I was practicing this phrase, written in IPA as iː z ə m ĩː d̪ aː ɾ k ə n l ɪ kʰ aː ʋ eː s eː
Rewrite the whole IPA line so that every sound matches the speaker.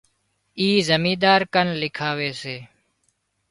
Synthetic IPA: iː z ə m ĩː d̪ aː ɾ k ə n l ɪ kʰ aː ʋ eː s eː